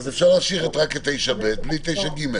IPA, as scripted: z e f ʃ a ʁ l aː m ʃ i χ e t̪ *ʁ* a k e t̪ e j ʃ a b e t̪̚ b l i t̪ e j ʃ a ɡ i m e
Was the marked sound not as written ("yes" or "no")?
no